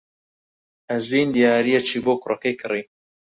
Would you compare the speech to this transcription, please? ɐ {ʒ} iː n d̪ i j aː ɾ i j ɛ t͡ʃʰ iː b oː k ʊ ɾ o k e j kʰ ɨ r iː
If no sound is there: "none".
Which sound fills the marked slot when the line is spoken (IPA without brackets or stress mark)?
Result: z